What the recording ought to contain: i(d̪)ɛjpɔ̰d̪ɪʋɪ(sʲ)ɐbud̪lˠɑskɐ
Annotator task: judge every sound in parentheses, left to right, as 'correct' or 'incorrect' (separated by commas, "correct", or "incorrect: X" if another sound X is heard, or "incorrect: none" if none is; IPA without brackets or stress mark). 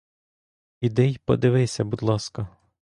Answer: correct, correct